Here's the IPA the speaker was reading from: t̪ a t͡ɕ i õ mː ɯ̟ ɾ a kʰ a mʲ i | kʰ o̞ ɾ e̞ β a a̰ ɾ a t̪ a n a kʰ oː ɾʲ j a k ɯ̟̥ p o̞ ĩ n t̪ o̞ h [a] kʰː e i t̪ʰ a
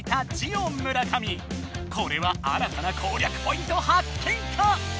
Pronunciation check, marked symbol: correct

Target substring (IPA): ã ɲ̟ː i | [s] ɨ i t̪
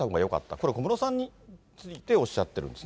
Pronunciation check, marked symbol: incorrect: t͡s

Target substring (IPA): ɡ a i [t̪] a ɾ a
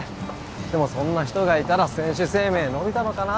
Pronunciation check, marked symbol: correct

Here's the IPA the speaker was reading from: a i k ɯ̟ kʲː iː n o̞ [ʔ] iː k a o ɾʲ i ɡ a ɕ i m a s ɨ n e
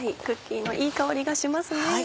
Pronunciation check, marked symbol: correct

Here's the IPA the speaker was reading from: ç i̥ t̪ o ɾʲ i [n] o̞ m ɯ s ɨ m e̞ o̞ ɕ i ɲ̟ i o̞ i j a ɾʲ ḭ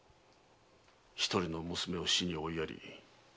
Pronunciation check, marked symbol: correct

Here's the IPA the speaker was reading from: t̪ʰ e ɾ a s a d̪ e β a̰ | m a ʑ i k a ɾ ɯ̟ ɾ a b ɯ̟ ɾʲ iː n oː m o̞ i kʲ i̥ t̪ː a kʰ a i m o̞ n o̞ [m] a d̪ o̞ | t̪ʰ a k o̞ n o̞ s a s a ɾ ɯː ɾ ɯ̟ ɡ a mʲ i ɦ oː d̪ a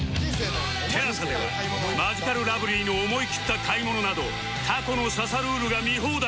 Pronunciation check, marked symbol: incorrect: n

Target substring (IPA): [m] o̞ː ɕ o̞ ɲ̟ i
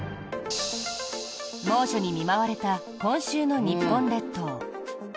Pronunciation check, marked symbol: correct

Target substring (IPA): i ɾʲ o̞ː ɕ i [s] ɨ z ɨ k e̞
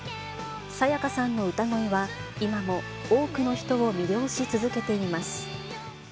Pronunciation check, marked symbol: incorrect: t͡s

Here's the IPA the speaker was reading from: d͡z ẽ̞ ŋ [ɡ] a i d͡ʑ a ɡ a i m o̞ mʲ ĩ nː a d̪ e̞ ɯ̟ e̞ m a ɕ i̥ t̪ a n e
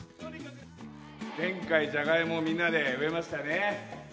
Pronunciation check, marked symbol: incorrect: k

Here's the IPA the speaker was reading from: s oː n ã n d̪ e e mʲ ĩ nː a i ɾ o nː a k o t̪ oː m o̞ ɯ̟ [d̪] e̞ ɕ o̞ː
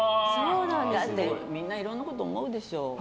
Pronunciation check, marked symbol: correct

